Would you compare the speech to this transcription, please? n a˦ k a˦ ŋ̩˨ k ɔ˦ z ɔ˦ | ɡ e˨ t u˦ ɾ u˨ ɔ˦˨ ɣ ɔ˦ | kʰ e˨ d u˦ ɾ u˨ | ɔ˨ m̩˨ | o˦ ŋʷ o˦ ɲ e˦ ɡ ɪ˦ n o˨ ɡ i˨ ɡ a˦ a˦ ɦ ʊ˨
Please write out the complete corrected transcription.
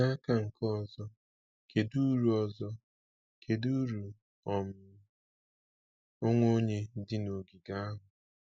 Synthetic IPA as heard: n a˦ k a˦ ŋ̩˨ k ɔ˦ z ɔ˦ | k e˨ d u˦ ɾ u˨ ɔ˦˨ z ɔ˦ | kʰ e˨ d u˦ ɾ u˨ | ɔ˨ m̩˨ | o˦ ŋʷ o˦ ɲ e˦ d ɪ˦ n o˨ ɡ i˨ ɡ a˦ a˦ ɦ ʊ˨